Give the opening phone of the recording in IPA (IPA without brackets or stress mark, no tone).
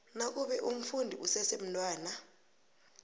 n